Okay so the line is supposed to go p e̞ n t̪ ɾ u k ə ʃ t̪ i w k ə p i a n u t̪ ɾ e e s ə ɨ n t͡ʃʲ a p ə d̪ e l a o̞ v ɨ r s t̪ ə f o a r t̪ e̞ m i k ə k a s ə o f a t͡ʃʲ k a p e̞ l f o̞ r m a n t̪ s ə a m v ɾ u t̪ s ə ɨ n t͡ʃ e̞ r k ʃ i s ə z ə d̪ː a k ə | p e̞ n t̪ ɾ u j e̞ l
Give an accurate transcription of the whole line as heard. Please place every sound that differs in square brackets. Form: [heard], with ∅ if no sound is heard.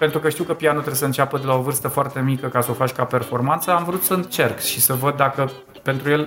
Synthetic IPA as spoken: p e̞ n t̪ ɾ u k ə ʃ t̪ i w k ə p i a n u t̪ ɾ e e s ə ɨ n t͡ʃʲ a p ə d̪ e l a o̞ v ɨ r s t̪ ə f o a r t̪ e̞ m i k ə k a s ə o f a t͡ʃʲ k a p e̞ [r] f o̞ r m a n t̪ s ə a m v ɾ u t̪ s ə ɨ n t͡ʃ e̞ r k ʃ i s ə [v] ə d̪ː a k ə | p e̞ n t̪ ɾ u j e̞ l